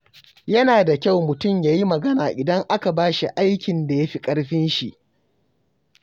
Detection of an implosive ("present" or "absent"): absent